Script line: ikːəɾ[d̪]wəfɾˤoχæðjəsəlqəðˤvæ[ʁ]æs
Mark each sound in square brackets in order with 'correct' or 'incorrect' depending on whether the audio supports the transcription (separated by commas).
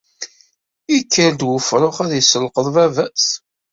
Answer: correct, incorrect